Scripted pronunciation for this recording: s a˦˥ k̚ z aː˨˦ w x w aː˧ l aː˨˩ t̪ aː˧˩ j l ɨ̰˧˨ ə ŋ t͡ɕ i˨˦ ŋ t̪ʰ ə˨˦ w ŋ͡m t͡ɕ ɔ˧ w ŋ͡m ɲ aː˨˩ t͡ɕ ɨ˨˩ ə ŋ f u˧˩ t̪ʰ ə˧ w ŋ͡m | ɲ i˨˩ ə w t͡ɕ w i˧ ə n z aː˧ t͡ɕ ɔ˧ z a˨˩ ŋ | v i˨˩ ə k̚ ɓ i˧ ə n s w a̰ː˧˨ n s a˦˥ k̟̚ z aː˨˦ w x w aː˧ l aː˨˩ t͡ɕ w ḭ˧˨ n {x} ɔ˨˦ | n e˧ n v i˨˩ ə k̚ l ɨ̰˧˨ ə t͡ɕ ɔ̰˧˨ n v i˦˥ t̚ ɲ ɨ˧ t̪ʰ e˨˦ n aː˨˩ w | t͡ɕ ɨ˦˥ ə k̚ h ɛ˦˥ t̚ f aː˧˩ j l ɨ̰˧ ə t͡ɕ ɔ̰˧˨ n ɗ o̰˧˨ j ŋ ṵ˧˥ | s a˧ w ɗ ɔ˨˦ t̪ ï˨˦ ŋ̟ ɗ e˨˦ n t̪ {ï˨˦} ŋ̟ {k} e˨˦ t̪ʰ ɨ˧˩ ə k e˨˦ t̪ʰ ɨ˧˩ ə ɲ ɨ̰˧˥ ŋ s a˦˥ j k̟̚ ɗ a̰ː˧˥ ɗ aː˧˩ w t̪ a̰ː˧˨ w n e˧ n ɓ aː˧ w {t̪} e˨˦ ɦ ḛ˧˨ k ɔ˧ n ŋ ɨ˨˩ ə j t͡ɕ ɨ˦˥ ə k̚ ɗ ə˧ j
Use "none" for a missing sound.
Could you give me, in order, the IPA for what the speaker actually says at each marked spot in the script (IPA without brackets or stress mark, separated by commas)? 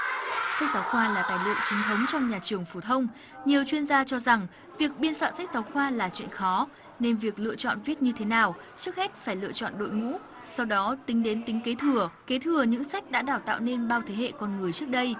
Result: x, ï˨˦, k, t̪ʰ